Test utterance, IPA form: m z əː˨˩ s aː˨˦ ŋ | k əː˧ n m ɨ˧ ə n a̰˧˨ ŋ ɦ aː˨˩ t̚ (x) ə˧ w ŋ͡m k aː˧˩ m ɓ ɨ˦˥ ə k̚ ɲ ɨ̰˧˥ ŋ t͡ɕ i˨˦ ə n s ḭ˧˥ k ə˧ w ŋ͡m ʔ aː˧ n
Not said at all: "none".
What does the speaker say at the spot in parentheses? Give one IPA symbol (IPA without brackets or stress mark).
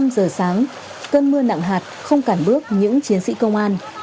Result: x